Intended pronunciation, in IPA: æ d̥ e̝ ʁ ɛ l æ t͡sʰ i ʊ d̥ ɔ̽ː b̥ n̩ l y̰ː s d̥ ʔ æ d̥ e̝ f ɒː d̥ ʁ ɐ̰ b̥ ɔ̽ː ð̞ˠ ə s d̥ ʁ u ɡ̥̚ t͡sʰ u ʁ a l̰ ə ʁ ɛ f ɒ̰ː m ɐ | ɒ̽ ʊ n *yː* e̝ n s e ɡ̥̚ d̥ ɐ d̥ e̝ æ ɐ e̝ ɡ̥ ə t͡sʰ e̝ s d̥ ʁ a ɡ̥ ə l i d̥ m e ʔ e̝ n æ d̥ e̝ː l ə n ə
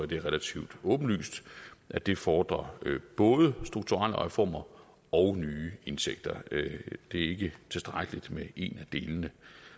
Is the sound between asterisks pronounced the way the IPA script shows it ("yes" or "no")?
yes